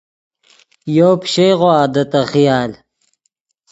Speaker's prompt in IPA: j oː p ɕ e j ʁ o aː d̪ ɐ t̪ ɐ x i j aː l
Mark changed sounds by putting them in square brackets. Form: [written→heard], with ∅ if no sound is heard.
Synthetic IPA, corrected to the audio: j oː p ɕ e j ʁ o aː d̪ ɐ t̪ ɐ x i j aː l